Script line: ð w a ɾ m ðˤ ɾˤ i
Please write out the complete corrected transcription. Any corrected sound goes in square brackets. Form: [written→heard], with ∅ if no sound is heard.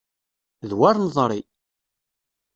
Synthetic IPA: ð w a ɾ [m→n] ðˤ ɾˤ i